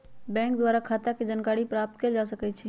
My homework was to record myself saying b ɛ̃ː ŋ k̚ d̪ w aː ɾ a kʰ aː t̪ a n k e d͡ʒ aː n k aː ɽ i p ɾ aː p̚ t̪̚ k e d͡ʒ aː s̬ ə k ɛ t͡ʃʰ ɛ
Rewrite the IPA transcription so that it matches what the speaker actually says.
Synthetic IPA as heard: b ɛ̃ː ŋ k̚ d̪ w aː ɾ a kʰ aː t̪ a k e d͡ʒ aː n k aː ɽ i p ɾ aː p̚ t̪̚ k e d͡ʒ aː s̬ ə k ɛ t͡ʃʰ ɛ